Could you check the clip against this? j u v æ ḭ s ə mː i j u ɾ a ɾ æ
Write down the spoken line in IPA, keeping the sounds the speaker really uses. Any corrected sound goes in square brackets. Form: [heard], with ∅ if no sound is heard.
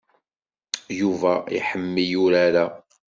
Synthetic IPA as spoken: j u v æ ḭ [ħ] ə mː i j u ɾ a ɾ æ